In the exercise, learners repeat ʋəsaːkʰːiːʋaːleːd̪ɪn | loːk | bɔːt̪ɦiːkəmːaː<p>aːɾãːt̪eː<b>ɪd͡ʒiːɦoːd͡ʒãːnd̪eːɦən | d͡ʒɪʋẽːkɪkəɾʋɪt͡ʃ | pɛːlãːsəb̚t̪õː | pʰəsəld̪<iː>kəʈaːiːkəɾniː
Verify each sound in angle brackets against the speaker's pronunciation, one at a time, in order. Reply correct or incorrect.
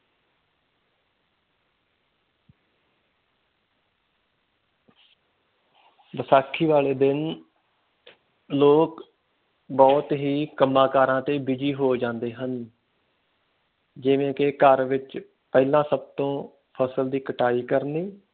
incorrect, correct, correct

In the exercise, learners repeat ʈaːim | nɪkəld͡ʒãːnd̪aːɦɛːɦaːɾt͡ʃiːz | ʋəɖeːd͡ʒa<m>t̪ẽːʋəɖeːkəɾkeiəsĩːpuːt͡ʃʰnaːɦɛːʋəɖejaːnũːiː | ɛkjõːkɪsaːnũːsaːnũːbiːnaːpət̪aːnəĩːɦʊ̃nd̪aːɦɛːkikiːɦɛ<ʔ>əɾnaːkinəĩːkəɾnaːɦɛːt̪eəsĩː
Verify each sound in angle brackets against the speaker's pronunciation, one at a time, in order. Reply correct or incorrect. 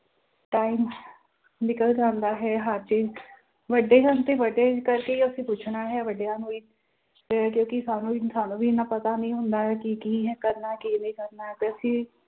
incorrect, incorrect

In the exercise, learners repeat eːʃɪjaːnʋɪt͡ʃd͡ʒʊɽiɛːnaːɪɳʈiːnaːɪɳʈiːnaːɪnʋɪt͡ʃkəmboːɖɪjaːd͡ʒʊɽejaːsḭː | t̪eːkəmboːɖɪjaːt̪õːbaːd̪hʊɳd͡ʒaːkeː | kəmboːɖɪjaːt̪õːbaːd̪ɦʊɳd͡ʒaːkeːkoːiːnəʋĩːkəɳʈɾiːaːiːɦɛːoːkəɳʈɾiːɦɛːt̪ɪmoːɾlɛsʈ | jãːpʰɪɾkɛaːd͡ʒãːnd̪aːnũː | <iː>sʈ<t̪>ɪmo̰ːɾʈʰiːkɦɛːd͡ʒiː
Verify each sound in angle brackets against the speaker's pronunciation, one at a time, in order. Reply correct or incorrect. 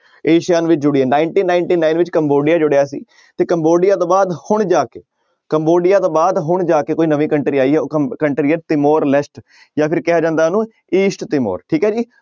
correct, correct

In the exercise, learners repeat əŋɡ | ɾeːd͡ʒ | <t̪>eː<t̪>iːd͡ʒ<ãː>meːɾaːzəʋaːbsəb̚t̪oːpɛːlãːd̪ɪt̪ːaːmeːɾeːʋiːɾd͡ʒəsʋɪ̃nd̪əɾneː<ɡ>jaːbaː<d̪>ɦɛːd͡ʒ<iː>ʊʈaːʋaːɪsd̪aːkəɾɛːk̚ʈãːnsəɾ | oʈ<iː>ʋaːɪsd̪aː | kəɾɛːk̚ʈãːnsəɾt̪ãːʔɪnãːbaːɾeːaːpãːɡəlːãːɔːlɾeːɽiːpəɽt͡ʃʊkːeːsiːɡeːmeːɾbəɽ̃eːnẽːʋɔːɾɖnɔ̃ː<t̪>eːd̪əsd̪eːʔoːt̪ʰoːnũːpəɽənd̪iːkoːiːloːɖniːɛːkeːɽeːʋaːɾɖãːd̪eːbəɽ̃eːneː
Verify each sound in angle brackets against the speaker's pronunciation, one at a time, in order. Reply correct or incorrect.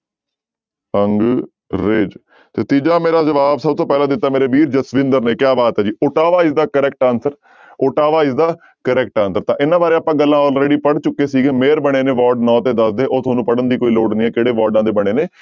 correct, correct, incorrect, incorrect, incorrect, correct, incorrect, correct

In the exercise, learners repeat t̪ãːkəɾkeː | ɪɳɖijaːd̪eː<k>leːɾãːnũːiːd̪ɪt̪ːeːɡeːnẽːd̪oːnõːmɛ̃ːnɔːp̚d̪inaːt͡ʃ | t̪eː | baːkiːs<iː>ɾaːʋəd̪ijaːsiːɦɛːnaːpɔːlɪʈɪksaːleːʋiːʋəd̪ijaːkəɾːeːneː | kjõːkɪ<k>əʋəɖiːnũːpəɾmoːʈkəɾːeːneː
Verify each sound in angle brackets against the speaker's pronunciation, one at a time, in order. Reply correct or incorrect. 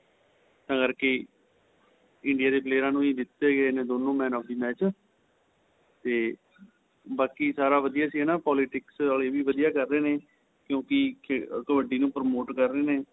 incorrect, incorrect, correct

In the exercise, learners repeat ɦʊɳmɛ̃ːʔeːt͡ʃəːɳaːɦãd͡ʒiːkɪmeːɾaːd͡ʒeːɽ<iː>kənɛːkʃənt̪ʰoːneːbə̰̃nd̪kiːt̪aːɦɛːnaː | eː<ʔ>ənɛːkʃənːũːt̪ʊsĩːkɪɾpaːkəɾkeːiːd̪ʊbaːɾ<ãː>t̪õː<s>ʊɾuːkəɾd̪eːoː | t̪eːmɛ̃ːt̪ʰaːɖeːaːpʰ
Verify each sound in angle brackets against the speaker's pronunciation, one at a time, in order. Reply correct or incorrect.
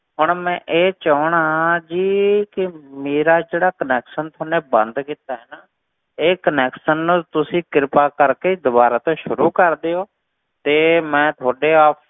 incorrect, incorrect, incorrect, incorrect

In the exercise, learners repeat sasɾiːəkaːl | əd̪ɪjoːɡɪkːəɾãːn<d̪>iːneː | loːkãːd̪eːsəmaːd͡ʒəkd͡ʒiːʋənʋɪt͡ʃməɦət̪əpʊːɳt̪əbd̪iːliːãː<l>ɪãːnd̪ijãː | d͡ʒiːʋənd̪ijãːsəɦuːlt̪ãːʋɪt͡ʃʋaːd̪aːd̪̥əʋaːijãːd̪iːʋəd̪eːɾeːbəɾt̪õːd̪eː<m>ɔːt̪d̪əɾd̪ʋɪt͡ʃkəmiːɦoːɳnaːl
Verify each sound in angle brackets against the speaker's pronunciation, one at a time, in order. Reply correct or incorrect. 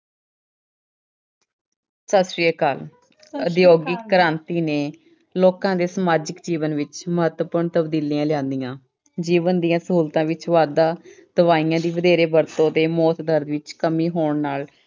incorrect, correct, correct

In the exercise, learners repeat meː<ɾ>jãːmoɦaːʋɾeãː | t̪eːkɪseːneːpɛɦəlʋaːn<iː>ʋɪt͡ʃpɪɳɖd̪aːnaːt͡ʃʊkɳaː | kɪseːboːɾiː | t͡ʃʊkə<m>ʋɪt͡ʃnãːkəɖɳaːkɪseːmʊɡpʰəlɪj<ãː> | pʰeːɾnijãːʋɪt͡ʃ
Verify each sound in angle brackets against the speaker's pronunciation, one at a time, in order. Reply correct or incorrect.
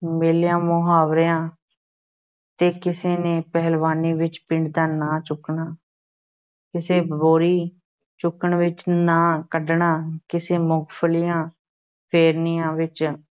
incorrect, correct, incorrect, correct

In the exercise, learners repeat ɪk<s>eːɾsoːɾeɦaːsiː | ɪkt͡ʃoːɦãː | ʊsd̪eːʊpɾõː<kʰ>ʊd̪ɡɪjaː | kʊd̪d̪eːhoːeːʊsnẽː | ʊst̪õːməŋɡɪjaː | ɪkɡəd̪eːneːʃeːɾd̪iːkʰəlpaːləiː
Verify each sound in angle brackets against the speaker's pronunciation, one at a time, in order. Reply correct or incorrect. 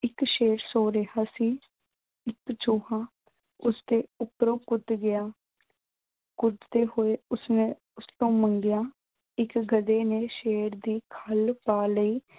incorrect, incorrect

